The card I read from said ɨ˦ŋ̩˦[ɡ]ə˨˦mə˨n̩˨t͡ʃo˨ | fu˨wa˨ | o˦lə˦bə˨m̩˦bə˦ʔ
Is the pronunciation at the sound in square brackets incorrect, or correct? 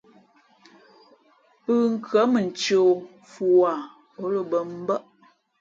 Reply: incorrect